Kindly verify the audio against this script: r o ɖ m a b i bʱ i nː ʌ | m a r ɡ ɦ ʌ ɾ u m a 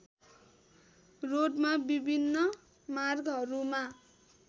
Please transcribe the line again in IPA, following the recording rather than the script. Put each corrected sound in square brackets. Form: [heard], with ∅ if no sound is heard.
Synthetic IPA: r o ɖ m a b i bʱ i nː ʌ | m a r ɡ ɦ ʌ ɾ u m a